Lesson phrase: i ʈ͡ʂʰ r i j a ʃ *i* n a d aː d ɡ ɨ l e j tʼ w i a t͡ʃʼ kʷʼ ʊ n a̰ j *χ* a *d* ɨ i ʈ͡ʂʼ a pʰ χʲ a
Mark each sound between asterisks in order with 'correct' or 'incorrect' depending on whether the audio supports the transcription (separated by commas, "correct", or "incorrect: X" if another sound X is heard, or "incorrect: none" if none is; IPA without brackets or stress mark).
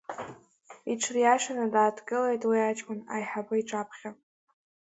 incorrect: a, incorrect: ħ, incorrect: b